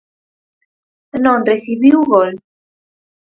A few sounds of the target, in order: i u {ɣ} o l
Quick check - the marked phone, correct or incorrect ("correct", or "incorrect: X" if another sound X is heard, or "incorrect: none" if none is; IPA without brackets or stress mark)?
correct